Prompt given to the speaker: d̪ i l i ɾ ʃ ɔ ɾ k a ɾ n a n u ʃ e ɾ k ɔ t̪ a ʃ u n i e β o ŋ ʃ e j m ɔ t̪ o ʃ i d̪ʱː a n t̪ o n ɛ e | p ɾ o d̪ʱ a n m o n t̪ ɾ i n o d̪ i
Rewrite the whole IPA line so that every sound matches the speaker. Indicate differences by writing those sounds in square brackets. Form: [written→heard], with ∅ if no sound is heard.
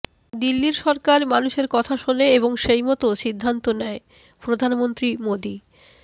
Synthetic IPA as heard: d̪ i [l→lː] i ɾ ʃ ɔ ɾ k a ɾ [n→m] a n u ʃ e ɾ k ɔ [t̪→t̪ʰ] a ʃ [u→o] n [i→e] e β o ŋ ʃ e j m ɔ t̪ o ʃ i d̪ʱː a n t̪ o n ɛ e | p ɾ o d̪ʱ a n m o n t̪ ɾ i [n→m] o d̪ i